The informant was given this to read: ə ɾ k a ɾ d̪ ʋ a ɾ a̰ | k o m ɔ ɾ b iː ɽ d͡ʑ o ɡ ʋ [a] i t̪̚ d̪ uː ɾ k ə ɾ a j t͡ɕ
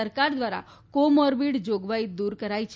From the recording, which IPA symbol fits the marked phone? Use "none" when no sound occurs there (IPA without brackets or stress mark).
a